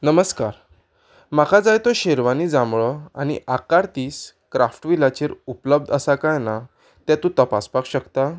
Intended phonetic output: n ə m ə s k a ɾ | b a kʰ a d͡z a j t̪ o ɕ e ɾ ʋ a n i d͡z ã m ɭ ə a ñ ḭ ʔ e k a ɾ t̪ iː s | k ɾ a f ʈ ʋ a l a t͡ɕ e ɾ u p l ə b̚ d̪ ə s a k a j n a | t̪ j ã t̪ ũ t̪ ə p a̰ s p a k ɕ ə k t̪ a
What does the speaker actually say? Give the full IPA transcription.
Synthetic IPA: n ə m ə s k a ɾ | m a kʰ a d͡z a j t̪ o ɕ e ɾ ʋ a n i d͡z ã m ɭ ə a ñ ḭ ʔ a k a ɾ t̪ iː s | k ɾ a f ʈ ʋ i l a t͡ɕ e ɾ u p l ə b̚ d̪ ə s a k a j n a | t̪ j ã t̪ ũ t̪ ə p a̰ s p a k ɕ ə k t̪ a